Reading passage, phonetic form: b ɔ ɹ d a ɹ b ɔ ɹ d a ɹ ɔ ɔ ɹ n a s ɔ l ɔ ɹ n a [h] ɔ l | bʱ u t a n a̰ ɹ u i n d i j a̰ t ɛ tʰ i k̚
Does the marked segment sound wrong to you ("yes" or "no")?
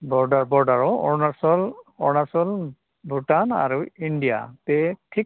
yes